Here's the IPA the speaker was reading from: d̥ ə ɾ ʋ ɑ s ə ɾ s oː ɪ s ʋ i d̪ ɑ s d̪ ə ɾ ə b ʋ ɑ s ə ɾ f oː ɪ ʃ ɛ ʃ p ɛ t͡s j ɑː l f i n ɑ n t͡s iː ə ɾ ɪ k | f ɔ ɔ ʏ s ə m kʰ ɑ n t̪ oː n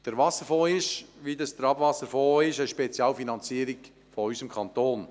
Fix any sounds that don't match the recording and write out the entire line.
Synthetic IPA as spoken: d̥ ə ɾ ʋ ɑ s ə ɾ f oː ɪ ʃ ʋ i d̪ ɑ s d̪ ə ɾ ɑ b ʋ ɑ s ə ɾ f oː ɪ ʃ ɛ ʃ p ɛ t͡s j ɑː l f i n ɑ n t͡s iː ə ɾ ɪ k | f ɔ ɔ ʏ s ə m kʰ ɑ n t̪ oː n